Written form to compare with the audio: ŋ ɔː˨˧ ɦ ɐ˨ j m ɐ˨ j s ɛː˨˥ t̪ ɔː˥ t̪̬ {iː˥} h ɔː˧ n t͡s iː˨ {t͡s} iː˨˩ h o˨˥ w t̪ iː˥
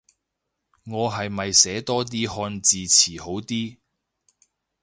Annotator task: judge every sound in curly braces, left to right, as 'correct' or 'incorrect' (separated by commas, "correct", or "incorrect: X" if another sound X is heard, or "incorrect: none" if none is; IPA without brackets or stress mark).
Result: correct, incorrect: t͡sʰ